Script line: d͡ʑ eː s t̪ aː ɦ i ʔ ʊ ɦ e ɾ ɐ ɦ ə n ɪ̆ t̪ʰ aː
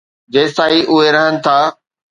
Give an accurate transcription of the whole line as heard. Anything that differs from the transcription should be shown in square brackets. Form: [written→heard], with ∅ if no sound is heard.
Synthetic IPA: d͡ʑ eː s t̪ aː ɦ i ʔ ʊ ɦ e ɾ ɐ ɦ ə n ɪ̆ t̪ʰ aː